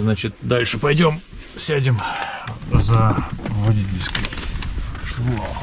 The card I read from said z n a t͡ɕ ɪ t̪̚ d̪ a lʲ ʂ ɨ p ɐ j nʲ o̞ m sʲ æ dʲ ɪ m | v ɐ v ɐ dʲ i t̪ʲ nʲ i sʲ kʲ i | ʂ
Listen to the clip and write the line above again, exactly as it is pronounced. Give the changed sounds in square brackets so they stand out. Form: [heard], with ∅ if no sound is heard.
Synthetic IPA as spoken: z n a t͡ɕ ɪ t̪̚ d̪ a lʲ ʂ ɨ p ɐ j [dʲ] o̞ m sʲ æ dʲ ɪ m | [z] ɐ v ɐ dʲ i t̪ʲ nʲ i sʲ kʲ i | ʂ